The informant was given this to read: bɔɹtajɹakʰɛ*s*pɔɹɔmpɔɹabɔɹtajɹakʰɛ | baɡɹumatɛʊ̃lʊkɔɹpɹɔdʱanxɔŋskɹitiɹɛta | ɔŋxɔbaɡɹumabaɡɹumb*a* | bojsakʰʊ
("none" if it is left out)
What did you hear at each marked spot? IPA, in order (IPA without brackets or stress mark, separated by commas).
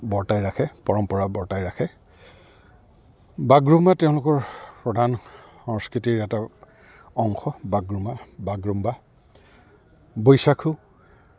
none, a